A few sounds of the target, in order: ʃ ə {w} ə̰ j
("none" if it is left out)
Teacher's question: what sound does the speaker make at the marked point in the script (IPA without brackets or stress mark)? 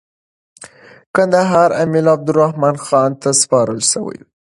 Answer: w